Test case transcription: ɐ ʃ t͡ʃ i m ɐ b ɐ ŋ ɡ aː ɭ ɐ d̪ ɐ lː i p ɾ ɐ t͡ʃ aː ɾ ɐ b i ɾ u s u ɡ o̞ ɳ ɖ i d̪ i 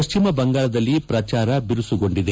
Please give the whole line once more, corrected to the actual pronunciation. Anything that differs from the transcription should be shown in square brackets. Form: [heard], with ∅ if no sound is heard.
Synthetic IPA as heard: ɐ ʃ t͡ʃ i m ɐ b ɐ ŋ ɡ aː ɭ ɐ d̪ ɐ lː i p ɾ ɐ t͡ʃ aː ɾ ɐ b i ɾ u s u ɡ o̞ ɳ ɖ i d̪ [e]